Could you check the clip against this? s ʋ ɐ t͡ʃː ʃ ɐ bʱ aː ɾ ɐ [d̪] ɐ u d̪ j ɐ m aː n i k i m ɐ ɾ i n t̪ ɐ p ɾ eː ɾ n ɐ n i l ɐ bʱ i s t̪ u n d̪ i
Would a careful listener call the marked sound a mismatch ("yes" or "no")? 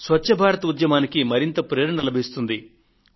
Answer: yes